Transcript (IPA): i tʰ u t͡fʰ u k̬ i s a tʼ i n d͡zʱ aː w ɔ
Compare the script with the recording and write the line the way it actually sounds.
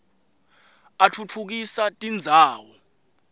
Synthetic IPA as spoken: a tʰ u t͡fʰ u k̬ i s a tʼ i n d͡zʱ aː w ɔ